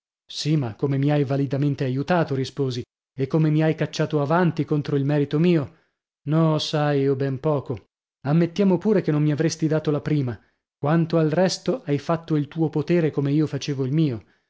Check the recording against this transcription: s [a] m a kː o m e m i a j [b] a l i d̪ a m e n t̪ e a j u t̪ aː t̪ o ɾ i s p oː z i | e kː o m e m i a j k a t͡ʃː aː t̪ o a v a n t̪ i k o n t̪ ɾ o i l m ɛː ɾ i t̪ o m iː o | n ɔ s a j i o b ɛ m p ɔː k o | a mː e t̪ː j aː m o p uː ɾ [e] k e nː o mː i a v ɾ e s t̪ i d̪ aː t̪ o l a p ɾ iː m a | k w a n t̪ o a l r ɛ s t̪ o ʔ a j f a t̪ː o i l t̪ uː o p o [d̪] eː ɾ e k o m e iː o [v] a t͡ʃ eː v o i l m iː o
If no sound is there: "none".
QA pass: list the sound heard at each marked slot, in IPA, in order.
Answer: i, v, e, t̪, f

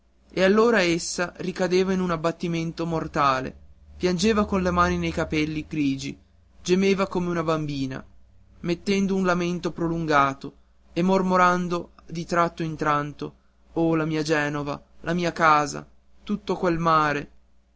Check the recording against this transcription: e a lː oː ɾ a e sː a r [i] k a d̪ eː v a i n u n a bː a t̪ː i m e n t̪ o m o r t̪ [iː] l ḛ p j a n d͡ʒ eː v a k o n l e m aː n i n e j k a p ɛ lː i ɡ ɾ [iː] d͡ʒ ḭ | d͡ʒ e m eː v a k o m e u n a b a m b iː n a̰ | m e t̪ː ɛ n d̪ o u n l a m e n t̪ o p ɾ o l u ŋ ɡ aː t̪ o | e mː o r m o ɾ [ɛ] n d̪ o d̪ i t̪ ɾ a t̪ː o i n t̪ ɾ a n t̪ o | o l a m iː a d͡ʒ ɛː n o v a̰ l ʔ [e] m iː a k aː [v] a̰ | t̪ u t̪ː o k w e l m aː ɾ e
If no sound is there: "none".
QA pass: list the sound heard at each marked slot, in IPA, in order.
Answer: i, aː, iː, a, a, z

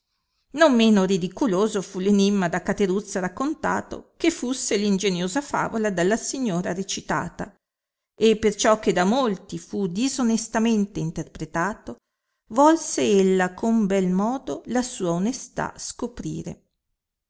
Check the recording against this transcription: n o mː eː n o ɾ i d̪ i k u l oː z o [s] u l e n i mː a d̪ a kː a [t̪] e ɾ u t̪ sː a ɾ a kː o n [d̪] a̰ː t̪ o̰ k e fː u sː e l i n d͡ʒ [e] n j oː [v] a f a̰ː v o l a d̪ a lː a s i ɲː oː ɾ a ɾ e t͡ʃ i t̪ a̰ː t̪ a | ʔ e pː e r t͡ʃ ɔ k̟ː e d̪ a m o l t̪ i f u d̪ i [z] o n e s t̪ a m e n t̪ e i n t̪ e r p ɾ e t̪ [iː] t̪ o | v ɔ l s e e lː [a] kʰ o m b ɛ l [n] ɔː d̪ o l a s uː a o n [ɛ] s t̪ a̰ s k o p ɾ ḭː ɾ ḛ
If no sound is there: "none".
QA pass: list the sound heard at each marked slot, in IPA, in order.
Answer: f, t̪, t̪, e, z, z, aː, a, m, e

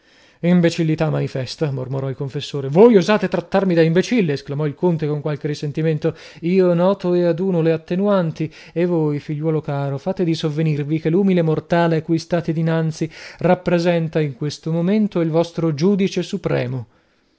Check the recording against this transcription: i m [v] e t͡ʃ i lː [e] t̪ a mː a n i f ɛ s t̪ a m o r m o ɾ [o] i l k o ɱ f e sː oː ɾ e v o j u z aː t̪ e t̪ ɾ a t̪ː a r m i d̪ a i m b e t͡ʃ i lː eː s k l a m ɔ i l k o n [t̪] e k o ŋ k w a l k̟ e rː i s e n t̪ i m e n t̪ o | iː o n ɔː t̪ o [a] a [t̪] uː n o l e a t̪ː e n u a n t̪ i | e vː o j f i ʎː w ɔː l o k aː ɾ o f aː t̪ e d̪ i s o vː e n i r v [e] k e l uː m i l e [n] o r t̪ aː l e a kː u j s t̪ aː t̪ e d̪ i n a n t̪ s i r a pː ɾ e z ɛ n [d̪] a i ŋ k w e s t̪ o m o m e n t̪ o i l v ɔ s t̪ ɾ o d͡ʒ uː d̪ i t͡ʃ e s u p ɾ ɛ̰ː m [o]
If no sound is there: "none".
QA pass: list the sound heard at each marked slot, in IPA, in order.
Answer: b, i, ɔ, t̪, e, d̪, i, m, t̪, o

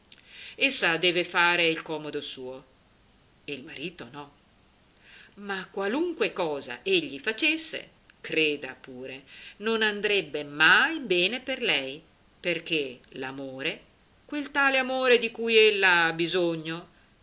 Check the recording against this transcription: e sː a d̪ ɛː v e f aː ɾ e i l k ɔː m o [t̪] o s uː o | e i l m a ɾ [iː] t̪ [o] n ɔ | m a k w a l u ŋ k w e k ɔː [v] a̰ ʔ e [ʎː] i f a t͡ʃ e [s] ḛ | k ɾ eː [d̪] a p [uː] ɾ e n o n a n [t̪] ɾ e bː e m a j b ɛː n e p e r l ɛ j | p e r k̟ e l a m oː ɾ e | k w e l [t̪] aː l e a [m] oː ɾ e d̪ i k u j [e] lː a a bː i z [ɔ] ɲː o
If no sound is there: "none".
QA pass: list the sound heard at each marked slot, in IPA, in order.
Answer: d̪, iː, o, z, ʎː, sː, d̪, uː, d̪, t̪, m, e, o

